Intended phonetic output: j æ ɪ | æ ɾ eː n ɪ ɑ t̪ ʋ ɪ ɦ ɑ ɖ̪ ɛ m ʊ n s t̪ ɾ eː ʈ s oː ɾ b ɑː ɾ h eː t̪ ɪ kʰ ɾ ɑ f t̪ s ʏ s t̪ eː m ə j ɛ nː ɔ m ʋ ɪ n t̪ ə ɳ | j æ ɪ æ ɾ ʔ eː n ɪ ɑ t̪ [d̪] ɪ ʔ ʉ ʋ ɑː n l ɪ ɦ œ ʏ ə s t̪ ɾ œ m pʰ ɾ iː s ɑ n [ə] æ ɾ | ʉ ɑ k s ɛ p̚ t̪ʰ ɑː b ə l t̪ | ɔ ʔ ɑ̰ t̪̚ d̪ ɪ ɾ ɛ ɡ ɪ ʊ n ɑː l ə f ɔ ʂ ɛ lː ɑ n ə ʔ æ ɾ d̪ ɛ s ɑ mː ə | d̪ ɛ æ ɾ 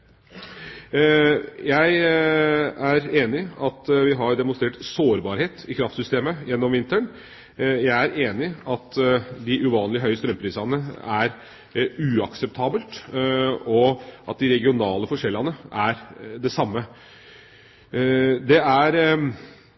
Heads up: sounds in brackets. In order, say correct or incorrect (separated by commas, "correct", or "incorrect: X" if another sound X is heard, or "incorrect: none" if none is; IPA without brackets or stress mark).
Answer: correct, correct